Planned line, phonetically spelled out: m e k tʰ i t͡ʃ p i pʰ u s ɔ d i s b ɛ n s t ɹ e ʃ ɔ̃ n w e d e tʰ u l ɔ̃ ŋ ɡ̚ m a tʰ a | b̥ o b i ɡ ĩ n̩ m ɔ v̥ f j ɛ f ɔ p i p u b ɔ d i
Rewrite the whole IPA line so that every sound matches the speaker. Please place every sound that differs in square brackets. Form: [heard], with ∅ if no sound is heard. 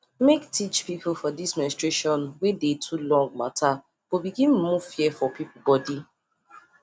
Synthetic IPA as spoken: m e k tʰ i t͡ʃ p i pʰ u [f] ɔ d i s [m] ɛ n s t ɹ e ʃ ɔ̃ n w e d e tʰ u l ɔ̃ ŋ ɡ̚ m a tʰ a | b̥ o b i ɡ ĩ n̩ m [u] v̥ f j ɛ f ɔ p i p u b ɔ d i